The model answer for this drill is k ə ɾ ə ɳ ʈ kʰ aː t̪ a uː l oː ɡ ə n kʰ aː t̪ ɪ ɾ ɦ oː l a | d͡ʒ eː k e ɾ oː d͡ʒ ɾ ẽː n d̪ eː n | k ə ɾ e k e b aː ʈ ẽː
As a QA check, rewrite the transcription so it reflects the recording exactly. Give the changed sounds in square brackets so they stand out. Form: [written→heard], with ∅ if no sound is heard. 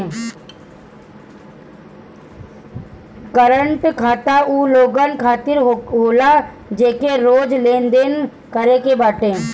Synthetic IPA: k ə ɾ ə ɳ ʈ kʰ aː t̪ a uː l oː ɡ ə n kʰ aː t̪ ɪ ɾ ɦ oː l a | d͡ʒ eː k e ɾ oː d͡ʒ [ɾ→l] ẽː n d̪ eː n | k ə ɾ e k e b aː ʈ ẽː